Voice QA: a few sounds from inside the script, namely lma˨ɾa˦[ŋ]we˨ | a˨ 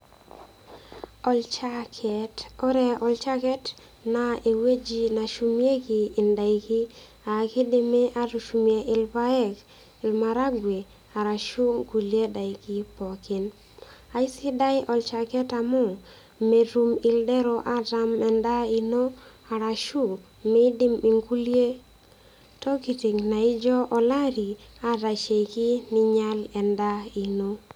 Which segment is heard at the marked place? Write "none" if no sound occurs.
ɡ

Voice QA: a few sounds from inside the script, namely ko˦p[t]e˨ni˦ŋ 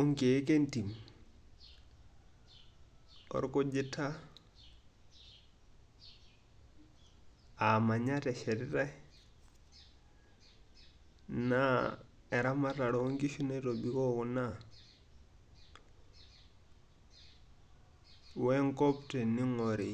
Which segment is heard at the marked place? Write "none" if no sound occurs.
t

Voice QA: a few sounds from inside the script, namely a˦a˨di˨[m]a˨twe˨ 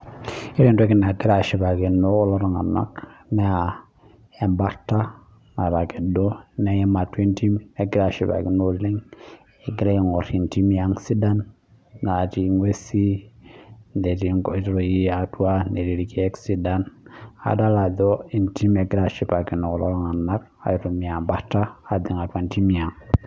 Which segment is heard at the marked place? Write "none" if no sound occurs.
ŋ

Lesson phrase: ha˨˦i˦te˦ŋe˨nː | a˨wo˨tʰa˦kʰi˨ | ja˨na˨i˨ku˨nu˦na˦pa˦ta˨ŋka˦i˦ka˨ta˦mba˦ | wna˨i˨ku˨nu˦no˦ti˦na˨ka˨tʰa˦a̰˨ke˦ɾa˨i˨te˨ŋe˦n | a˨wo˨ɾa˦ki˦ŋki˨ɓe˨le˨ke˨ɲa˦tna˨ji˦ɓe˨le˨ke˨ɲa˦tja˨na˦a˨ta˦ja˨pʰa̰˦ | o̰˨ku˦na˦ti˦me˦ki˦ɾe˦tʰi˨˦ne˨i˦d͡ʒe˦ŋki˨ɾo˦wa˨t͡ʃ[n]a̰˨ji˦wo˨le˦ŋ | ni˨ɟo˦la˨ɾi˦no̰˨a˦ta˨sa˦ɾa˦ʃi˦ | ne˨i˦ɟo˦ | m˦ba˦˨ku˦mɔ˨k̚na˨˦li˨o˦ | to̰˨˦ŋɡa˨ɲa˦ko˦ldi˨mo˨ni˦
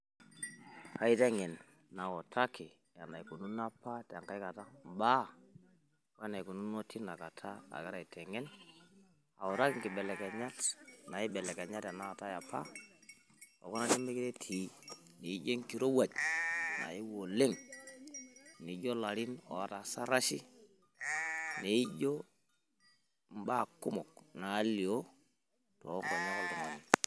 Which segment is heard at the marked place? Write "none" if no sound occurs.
n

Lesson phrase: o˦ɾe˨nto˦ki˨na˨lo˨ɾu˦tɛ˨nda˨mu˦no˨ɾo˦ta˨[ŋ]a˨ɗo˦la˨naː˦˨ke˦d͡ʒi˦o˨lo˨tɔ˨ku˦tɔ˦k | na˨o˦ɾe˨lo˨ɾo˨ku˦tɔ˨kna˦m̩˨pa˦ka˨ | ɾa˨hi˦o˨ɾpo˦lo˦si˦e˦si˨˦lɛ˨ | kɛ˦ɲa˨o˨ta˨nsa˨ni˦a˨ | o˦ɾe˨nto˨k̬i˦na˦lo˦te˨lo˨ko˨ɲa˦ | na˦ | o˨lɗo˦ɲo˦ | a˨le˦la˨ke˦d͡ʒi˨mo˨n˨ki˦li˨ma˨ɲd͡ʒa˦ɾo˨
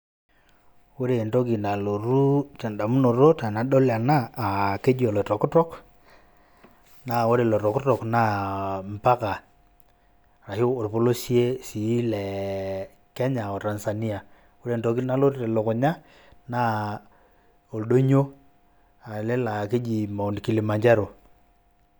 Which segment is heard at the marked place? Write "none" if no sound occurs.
n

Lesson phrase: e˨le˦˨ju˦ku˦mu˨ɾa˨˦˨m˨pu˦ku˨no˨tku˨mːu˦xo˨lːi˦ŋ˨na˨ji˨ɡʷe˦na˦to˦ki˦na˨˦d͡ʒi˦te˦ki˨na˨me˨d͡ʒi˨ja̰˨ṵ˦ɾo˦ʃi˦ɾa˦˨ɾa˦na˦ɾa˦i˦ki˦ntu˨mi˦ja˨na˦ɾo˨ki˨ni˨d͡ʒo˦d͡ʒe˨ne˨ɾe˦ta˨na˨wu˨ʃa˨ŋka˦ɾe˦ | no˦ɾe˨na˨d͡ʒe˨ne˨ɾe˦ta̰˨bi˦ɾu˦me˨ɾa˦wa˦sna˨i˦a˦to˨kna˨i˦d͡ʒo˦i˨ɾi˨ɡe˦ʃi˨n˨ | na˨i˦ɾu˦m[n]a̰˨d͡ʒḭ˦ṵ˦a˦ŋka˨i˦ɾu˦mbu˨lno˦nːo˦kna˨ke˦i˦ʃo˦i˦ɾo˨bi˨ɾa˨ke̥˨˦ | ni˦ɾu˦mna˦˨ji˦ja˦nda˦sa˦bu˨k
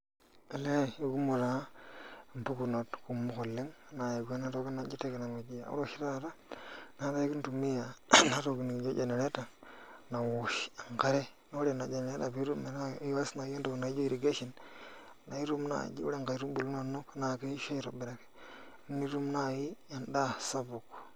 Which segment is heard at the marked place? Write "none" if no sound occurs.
n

